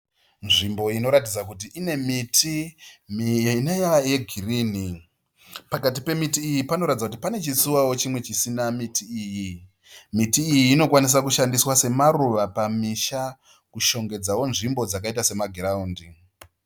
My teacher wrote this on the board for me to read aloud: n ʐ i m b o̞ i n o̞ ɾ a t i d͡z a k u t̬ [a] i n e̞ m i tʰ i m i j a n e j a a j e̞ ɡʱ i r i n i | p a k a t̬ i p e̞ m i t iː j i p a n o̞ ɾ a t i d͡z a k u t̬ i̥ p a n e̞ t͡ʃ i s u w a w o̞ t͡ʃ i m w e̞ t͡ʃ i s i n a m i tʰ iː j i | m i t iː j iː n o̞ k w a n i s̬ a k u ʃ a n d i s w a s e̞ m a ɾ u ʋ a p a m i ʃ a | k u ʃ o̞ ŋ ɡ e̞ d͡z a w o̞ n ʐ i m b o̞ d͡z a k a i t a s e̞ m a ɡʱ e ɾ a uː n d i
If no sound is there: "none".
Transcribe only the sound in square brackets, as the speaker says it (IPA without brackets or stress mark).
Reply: i